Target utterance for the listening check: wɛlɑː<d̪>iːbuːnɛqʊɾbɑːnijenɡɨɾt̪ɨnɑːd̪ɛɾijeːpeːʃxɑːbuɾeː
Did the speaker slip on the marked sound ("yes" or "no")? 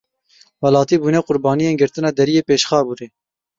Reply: yes